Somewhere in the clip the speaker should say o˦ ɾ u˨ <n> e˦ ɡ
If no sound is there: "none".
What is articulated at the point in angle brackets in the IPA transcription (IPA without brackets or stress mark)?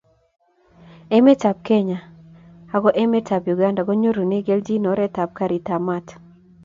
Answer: n